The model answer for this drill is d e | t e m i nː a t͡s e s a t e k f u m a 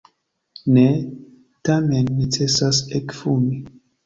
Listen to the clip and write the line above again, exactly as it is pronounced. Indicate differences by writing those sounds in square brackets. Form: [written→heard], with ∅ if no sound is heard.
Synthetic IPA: [d→n] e | t [e→a] m [i→e] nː [a→i] t͡s e s a [t→s] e k f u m [a→i]

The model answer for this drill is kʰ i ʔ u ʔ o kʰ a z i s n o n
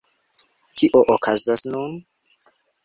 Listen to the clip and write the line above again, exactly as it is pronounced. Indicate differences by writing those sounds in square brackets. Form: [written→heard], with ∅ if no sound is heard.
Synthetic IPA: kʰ i ʔ [u→o] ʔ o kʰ a z [i→a] s n [o→u] n

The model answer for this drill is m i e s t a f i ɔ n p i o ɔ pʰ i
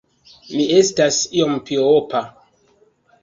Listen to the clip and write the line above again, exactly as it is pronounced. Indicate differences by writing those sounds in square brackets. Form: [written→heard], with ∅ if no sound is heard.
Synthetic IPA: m i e s t a [f→s] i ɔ [n→m] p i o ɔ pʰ [i→a]

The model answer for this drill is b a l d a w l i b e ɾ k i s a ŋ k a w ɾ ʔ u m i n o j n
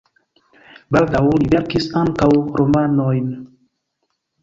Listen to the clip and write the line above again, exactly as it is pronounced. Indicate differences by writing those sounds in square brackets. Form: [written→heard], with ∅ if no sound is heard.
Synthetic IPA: b a l d a w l i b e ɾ k i s a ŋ k a w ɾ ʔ [u→o] m [i→a] n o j n

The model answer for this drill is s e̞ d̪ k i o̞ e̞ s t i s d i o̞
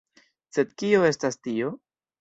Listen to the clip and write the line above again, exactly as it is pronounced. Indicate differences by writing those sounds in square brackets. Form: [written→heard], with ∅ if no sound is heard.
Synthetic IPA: s e̞ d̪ k i o̞ e̞ s t [i→a] s [d→t] i o̞

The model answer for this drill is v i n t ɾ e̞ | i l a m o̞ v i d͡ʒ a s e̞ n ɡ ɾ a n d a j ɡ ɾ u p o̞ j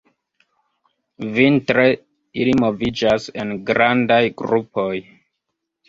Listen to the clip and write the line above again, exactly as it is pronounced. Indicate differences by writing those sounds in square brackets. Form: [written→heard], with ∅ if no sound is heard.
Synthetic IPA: v i n t ɾ e̞ | i l [a→i] m o̞ v i d͡ʒ a s e̞ n ɡ ɾ a n d a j ɡ ɾ u p o̞ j

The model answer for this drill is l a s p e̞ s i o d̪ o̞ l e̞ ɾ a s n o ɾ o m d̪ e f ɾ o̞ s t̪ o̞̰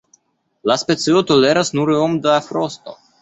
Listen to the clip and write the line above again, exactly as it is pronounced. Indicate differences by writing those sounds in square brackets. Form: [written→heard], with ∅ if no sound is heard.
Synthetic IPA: l a s p e̞ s i o [d̪→t̪] o̞ l e̞ ɾ a s n [o→u] ɾ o m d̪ [e→a] f ɾ o̞ s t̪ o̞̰

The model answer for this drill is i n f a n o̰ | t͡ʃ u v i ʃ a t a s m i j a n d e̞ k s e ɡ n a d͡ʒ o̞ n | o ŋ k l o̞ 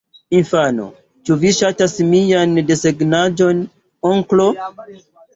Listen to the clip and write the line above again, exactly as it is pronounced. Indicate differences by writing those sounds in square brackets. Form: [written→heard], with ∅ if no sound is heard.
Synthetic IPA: i n f a n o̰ | t͡ʃ u v i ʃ a t a s m i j a n d e̞ [k→∅] s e ɡ n a d͡ʒ o̞ n | o ŋ k l o̞

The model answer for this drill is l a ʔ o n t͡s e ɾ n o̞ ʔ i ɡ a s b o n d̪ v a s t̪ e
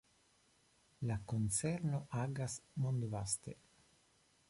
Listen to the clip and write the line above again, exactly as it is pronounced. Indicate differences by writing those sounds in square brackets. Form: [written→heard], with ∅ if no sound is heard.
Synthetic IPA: l a [ʔ→k] o n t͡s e ɾ n o̞ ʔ [i→a] ɡ a s [b→m] o n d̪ v a s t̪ e

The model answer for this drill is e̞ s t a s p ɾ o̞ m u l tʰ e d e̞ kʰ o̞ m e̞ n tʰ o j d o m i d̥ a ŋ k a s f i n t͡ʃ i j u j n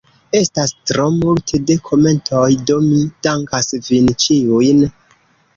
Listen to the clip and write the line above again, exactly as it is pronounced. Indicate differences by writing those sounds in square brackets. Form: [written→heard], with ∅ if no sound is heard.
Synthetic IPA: e̞ s t a s [p→t] ɾ o̞ m u l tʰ e d e̞ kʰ o̞ m e̞ n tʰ o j d o m i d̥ a ŋ k a s [f→v] i n t͡ʃ i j u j n

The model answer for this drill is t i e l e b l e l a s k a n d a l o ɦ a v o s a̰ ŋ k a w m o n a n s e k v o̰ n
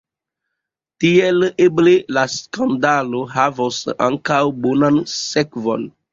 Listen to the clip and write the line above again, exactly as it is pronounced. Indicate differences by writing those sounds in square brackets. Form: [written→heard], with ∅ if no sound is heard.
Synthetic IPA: t i e l e b l e l a s k a n d a l o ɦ a v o s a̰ ŋ k a w [m→b] o n a n s e k v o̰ n

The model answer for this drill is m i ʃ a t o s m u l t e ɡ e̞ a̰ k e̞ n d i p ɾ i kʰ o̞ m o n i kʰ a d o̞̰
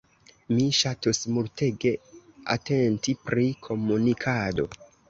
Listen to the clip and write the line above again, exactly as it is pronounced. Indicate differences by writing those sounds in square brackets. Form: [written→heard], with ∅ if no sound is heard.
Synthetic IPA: m i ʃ a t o s m u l t e ɡ e̞ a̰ [k→t] e̞ n [d→t] i p ɾ i kʰ o̞ m [o→u] n i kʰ a d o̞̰

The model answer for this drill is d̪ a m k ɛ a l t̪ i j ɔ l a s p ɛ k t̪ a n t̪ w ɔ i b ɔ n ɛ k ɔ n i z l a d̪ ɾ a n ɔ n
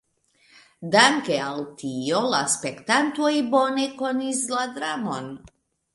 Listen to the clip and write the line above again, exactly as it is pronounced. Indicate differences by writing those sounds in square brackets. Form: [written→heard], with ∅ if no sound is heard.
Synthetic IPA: d̪ a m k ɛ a l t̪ i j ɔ l a s p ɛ k t̪ a n t̪ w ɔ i b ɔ n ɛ k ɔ n i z l a d̪ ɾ a [n→m] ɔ n

